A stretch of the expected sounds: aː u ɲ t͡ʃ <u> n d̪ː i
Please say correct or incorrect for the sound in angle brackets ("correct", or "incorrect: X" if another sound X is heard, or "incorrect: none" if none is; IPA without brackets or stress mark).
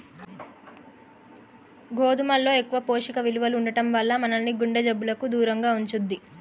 correct